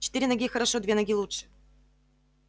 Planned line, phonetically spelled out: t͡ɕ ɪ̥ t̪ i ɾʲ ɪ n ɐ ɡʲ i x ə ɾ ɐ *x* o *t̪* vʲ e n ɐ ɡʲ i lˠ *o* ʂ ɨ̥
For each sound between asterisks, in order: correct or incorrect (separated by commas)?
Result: incorrect, incorrect, incorrect